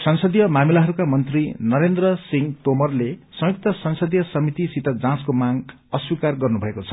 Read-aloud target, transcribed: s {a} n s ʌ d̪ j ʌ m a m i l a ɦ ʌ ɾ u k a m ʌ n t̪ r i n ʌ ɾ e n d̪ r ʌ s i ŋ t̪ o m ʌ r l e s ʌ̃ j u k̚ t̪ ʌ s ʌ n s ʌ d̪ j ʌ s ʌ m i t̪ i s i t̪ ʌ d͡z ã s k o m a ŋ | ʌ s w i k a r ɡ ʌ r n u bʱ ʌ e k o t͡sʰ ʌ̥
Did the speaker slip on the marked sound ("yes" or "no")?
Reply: yes